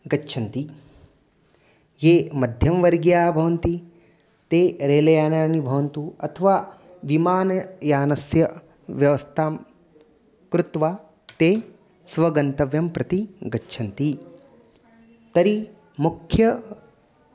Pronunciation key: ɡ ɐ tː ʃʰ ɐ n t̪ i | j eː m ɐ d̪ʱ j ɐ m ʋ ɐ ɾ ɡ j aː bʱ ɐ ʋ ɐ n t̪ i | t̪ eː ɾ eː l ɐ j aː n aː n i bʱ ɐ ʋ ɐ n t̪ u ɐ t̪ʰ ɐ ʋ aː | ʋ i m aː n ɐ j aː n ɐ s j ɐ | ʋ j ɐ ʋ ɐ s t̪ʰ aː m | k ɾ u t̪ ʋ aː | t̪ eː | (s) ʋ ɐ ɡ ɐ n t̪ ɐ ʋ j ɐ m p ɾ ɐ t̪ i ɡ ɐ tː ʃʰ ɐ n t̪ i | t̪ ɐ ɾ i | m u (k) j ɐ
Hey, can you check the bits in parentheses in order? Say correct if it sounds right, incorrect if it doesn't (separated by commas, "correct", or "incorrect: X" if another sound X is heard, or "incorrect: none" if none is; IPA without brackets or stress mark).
correct, incorrect: kʰ